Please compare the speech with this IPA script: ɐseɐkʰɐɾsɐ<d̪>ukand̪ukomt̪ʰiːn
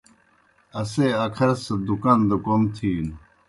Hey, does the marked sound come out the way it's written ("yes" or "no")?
yes